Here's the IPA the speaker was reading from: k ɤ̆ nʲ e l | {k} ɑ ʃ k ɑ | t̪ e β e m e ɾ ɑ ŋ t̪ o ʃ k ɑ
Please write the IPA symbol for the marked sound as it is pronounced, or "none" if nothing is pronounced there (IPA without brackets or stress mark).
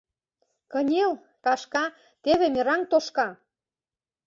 k